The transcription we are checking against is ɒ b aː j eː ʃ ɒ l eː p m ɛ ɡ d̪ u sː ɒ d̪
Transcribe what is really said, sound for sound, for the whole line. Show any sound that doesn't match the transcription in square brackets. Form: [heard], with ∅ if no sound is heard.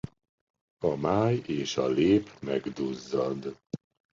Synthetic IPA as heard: ɒ [m] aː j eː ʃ ɒ l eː p m ɛ ɡ d̪ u [zː] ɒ d̪